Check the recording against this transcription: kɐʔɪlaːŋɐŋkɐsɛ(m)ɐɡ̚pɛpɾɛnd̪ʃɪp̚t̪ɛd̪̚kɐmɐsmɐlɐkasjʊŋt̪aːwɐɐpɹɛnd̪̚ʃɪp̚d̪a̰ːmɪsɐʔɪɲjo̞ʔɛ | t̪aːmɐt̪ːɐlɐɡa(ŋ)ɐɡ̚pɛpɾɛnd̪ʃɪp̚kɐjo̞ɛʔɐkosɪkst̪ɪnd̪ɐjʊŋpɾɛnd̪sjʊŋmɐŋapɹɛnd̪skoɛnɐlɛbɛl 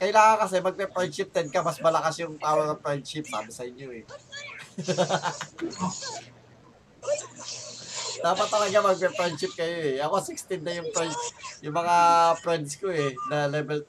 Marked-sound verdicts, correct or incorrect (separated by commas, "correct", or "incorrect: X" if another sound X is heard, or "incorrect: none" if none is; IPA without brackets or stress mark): correct, incorrect: m